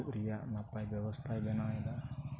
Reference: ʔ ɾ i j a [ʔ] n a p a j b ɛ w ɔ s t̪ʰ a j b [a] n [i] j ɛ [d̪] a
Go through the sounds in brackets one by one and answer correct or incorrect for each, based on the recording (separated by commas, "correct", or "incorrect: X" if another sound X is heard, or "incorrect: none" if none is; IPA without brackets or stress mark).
correct, incorrect: ɛ, incorrect: a, correct